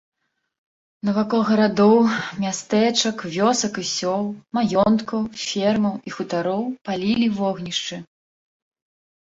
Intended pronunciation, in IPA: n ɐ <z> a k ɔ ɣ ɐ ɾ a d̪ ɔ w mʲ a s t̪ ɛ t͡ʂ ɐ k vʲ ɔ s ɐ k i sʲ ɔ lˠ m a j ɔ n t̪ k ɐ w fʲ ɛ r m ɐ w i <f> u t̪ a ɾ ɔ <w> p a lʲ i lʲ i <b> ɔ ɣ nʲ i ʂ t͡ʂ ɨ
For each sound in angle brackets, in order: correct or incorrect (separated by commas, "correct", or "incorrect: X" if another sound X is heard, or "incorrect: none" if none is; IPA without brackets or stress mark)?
incorrect: v, incorrect: x, correct, incorrect: v